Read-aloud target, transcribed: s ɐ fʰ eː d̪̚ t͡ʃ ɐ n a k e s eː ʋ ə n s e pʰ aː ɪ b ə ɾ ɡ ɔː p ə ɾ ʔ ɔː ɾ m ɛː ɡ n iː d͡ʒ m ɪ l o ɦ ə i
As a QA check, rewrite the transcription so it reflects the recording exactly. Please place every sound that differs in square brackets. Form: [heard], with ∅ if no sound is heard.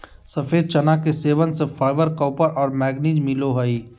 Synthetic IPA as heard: s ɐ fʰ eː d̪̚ t͡ʃ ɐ n a k e s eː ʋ ə n s e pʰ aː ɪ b ə ɾ [k] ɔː p ə ɾ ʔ ɔː ɾ m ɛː ɡ n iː d͡ʒ m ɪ l o ɦ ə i